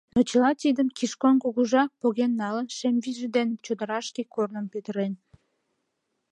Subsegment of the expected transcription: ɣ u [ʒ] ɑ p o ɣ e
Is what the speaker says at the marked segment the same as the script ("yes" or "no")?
yes